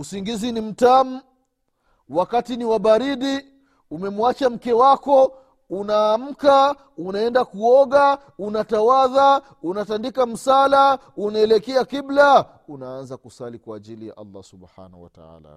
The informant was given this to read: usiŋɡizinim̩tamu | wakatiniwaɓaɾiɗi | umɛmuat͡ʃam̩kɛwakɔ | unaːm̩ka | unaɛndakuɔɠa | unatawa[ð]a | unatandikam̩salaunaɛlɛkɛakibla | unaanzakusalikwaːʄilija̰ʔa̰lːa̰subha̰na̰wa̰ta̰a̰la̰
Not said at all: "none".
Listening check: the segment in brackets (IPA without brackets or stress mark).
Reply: ð